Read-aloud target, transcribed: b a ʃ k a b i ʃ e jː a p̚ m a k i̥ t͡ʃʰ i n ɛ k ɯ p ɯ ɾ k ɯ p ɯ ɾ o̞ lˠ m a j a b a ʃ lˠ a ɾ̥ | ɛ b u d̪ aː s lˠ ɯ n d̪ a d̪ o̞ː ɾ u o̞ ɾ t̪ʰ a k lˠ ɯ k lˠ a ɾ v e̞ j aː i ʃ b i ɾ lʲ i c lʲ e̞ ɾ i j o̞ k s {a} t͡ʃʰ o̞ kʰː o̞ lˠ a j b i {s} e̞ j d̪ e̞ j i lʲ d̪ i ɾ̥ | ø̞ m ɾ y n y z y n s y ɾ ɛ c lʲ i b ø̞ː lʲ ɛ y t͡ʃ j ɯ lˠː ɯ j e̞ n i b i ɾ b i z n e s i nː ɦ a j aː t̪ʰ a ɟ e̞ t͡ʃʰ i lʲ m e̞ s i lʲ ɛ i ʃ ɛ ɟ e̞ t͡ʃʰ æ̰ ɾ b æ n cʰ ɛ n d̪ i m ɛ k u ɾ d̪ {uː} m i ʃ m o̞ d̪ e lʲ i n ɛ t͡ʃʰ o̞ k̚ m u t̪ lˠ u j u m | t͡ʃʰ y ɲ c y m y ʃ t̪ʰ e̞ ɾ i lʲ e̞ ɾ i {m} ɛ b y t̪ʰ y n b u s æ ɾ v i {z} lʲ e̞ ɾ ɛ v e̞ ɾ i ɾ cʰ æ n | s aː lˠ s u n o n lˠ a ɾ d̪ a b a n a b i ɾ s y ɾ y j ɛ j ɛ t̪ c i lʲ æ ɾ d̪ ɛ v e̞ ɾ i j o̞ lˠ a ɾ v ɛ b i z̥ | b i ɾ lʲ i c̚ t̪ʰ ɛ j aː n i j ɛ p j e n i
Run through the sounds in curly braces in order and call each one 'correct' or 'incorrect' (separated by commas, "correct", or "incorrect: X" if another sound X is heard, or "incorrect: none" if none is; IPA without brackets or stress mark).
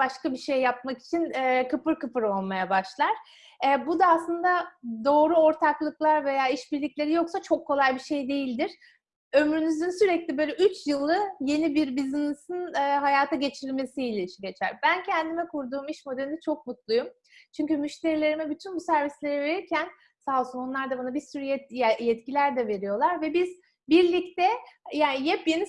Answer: correct, incorrect: ʃ, correct, correct, incorrect: s